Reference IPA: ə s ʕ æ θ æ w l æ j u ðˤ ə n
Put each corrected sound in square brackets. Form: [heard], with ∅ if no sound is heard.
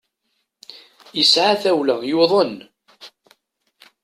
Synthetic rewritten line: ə s ʕ [a] θ æ w l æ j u ðˤ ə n